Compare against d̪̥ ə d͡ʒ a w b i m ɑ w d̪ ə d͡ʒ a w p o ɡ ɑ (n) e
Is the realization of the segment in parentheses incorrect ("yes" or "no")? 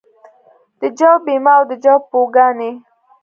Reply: no